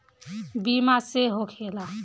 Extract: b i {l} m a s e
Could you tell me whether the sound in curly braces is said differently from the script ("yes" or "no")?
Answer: yes